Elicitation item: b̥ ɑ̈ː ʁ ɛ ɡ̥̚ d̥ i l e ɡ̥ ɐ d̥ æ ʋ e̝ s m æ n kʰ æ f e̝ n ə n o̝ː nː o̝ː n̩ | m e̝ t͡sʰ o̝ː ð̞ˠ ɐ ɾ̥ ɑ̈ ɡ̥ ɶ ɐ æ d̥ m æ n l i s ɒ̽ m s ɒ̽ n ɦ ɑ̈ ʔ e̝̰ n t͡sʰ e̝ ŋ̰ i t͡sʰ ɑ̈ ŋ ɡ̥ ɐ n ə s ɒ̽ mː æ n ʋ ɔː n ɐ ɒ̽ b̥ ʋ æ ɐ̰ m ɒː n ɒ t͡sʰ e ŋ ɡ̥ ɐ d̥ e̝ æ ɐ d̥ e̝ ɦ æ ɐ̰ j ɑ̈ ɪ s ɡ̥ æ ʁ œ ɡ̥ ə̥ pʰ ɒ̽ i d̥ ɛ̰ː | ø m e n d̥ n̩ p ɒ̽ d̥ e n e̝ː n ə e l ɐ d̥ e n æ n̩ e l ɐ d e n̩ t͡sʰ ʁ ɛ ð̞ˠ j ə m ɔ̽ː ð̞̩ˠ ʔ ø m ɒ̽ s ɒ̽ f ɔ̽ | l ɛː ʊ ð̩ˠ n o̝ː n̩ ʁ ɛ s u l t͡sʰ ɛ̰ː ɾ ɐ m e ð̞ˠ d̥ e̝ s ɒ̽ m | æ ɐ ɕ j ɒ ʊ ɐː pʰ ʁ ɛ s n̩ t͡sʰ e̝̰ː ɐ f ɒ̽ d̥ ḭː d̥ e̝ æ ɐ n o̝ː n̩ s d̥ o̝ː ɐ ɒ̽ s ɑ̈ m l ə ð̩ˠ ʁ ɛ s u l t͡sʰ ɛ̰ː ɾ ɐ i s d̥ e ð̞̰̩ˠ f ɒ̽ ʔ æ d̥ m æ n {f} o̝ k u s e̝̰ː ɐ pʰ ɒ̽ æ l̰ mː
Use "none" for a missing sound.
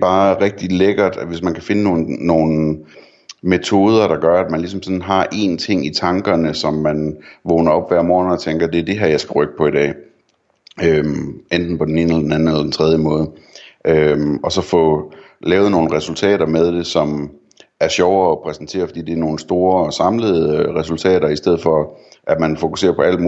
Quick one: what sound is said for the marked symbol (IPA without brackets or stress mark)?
f